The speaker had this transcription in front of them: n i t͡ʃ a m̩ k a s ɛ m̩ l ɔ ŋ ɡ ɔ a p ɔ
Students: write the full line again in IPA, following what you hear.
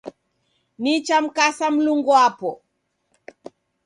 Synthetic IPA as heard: n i t͡ʃ a m̩ k a s a m̩ l u ŋ ɡ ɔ a p ɔ